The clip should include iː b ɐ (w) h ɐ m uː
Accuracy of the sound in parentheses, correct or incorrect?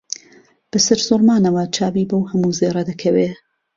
correct